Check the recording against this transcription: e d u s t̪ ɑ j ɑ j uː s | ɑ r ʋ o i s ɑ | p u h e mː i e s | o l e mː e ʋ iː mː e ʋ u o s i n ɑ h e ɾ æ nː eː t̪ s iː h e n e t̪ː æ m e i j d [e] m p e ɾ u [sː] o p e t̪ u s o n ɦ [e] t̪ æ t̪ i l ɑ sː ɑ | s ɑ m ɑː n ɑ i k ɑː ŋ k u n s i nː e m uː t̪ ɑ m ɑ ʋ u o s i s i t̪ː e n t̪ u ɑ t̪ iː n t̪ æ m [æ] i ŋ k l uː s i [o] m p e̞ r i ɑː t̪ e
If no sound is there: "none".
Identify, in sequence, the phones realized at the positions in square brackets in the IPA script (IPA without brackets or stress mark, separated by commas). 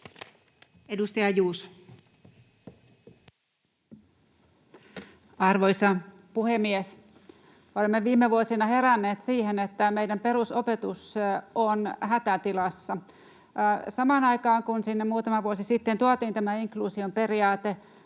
æ, s, æ, æ, o